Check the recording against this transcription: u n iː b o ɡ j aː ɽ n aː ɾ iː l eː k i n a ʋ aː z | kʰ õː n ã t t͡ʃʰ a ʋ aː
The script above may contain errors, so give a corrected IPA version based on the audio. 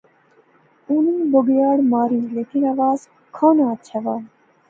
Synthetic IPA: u n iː b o ɡ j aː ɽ m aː ɾ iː l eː k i n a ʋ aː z | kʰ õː n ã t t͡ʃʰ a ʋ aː